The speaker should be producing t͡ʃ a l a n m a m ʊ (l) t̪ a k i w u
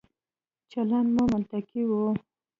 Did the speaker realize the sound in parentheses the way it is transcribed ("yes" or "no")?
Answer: yes